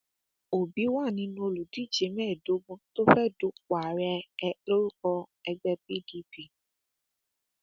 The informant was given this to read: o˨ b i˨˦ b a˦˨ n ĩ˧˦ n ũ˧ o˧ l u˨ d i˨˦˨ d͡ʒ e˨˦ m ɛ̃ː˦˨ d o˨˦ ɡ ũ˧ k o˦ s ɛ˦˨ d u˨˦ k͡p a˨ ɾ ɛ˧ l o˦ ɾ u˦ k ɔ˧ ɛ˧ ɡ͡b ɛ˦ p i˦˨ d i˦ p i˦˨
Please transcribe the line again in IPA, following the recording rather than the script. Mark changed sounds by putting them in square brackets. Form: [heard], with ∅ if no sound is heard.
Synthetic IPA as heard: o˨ b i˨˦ [w] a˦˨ n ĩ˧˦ n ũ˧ o˧ l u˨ d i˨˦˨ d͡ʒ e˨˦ m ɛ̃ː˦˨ d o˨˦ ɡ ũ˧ [t] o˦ [f] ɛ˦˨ d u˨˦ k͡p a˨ ɾ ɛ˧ l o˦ ɾ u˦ k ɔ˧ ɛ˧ ɡ͡b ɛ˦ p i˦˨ d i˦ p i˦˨

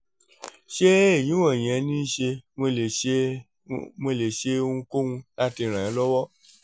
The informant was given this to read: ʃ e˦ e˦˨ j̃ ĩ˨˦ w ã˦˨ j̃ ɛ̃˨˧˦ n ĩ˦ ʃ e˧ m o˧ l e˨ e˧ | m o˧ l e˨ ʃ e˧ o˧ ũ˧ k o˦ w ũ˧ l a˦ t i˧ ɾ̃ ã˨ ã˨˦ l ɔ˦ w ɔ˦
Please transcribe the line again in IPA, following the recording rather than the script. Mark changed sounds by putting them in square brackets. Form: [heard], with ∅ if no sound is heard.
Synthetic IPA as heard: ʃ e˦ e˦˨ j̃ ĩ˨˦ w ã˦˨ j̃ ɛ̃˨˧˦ n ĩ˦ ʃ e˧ m o˧ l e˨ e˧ | m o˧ l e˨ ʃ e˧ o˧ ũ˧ k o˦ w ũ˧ l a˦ t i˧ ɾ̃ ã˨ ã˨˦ l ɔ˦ w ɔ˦

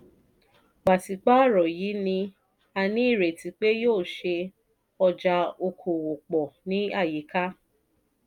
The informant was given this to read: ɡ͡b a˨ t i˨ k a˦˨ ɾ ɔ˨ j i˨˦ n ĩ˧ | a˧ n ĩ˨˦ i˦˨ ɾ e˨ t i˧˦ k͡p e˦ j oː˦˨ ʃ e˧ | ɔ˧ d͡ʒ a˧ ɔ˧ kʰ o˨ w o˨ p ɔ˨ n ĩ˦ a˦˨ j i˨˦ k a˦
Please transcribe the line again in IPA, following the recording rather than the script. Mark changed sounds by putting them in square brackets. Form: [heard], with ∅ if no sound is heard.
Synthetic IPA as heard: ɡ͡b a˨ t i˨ [k͡p] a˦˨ ɾ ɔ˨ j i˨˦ n ĩ˧ | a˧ n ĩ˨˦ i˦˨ ɾ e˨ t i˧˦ k͡p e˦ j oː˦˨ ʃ e˧ | ɔ˧ d͡ʒ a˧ [o˧] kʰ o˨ w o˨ [k͡p] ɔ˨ n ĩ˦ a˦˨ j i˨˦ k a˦

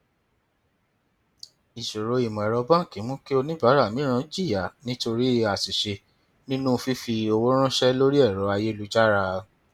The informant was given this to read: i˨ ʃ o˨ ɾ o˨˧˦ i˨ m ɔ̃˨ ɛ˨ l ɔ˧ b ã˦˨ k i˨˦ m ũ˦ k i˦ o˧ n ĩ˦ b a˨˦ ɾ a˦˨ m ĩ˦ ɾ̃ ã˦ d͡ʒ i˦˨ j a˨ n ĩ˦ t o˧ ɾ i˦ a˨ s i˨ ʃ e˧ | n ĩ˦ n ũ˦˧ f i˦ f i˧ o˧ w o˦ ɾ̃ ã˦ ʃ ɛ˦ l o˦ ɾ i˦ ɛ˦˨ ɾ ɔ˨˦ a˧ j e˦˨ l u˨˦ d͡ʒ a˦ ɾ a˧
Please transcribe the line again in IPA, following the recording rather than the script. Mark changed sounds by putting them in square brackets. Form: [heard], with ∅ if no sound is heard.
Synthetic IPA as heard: i˨ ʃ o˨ ɾ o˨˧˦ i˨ m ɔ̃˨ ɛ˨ [ɾ] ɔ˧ b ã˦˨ k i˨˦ m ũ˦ k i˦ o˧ n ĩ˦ b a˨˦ ɾ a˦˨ m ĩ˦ ɾ̃ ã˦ d͡ʒ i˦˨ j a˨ n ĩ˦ t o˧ ɾ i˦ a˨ s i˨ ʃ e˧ | n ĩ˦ n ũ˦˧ f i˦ f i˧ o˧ w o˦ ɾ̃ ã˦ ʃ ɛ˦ l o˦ ɾ i˦ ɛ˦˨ ɾ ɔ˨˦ a˧ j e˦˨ l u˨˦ d͡ʒ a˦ ɾ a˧

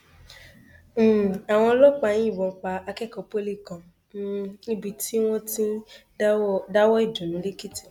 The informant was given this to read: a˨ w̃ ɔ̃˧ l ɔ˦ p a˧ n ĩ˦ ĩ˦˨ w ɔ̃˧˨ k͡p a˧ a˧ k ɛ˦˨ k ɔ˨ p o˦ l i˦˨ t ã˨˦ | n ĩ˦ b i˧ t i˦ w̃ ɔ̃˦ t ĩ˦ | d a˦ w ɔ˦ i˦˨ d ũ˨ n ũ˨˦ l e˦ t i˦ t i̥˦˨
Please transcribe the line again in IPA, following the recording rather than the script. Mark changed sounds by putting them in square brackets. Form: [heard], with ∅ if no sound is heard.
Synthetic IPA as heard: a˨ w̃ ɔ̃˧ l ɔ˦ [k͡p] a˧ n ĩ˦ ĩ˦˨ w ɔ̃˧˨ k͡p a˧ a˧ k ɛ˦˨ k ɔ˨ p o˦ l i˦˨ [k] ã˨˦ | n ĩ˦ b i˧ t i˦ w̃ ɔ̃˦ t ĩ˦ | d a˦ w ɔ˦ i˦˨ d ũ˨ n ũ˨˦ l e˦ [k] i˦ t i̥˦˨

